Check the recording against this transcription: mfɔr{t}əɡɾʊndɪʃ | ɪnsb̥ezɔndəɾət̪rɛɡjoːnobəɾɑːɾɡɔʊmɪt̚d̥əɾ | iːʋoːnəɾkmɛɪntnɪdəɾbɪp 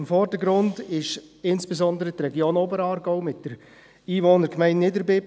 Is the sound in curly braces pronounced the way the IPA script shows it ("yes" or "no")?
no